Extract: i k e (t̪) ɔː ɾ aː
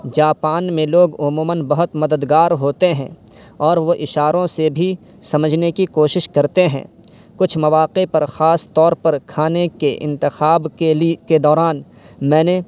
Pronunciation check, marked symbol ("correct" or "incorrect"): incorrect